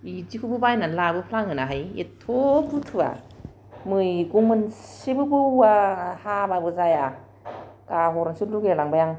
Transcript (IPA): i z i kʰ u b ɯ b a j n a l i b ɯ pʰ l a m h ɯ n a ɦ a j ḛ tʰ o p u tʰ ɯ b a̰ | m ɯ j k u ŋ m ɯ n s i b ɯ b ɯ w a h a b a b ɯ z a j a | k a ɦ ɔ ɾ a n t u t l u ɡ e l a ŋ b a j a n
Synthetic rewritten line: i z i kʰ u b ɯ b a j n a l a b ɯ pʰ l a ŋ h ɯ n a ɦ a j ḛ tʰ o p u tʰ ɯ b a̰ | m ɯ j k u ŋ m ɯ n s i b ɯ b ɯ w a h a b a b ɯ z a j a | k a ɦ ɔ ɾ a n s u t l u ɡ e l a ŋ b a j a ŋ

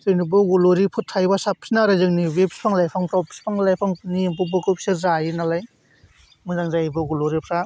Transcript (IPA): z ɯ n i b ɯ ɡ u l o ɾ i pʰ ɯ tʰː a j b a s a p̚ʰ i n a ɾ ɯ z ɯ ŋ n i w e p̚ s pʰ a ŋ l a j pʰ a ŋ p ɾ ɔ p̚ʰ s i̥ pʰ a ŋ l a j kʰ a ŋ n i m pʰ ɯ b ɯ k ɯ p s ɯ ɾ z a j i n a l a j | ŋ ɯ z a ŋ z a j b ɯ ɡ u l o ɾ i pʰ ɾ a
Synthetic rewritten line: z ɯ n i b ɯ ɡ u l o ɾ i pʰ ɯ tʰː a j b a s a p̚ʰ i n a ɾ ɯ z ɯ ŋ n i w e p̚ s pʰ a ŋ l a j pʰ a ŋ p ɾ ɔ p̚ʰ s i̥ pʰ a ŋ l a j pʰ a ŋ n i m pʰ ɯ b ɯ k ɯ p s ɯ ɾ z a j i n a l a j | m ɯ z a ŋ z a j b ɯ ɡ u l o ɾ i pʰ ɾ a

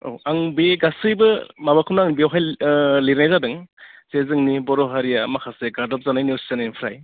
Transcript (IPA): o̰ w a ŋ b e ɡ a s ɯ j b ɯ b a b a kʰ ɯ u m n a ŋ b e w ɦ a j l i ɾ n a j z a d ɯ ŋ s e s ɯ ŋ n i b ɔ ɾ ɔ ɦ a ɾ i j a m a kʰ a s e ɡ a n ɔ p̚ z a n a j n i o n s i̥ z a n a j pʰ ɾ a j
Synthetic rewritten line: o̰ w a ŋ b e ɡ a s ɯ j b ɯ m a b a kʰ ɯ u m n a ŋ b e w ɦ a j l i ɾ n a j z a d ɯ ŋ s e z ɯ ŋ n i b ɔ ɾ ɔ ɦ a ɾ i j a m a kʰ a s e ɡ a d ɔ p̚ z a n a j n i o s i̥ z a n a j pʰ ɾ a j

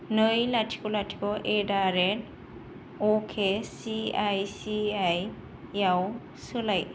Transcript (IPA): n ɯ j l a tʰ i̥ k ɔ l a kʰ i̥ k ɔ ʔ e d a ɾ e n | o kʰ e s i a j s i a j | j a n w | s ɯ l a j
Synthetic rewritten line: n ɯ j l a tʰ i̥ k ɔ l a tʰ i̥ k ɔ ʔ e d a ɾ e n | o kʰ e s i a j s i a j | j a w | s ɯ l a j

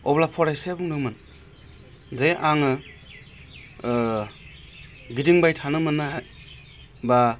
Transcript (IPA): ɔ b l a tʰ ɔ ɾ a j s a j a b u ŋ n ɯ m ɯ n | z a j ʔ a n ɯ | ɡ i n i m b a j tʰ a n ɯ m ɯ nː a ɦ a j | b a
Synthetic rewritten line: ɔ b l a pʰ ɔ ɾ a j s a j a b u ŋ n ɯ m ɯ n | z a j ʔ a ŋ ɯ | ɡ i d i ŋ b a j tʰ a n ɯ m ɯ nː a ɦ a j | b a

